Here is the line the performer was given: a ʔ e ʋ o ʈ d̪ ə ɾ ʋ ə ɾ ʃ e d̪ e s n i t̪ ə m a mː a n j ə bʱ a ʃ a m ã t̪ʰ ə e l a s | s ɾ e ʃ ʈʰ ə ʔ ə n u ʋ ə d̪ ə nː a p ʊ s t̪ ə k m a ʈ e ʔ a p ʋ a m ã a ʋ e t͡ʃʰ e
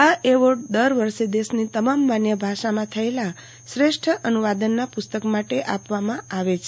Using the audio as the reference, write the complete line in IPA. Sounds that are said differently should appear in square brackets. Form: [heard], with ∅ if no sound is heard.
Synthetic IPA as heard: a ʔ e ʋ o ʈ d̪ ə ɾ ʋ ə ɾ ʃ e d̪ e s n i t̪ ə m a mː a n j ə bʱ a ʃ a m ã t̪ʰ ə e l a [∅] | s ɾ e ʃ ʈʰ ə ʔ ə n u ʋ [a] d̪ ə nː a p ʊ s t̪ ə k m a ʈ e ʔ a p ʋ a m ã a ʋ e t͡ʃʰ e

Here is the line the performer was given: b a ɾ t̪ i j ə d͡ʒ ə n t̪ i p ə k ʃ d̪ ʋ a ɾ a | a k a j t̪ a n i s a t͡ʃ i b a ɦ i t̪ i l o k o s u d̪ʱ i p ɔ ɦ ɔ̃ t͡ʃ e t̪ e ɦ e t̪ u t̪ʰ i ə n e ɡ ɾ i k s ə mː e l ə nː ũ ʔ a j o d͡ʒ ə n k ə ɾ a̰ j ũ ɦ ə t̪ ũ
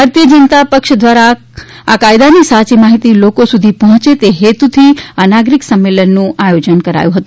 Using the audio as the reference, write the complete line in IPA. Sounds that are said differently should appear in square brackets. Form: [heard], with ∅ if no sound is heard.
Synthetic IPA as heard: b a ɾ t̪ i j ə d͡ʒ ə n t̪ [a] p ə k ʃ d̪ ʋ a ɾ a | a k a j [d̪] a n i s a t͡ʃ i [m] a ɦ i t̪ i l o k o s u d̪ʱ i p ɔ ɦ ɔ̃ t͡ʃ e t̪ e ɦ e t̪ u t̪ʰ i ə n [a] ɡ ɾ i k s ə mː e l ə nː ũ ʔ a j o d͡ʒ ə n k ə ɾ a̰ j ũ ɦ ə t̪ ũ

